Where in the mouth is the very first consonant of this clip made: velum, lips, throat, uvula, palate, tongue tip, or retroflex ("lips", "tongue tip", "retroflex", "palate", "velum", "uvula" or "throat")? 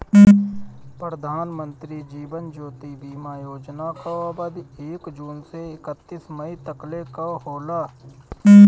lips